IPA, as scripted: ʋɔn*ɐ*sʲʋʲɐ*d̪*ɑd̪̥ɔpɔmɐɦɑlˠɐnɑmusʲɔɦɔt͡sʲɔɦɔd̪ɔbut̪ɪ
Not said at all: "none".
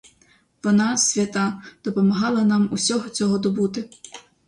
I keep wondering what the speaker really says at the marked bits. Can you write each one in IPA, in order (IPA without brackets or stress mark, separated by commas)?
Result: ɑ, t̪